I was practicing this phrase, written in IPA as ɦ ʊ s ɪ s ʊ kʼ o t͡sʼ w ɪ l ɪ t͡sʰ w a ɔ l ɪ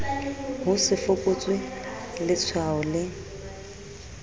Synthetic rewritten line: ɦ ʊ s ɪ f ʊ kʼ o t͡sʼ w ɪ l ɪ t͡sʰ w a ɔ l ɪ